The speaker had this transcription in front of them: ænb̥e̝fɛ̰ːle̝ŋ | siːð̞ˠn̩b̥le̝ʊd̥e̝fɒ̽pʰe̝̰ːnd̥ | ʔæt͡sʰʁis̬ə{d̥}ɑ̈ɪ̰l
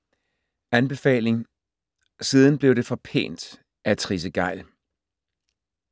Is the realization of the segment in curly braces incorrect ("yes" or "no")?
yes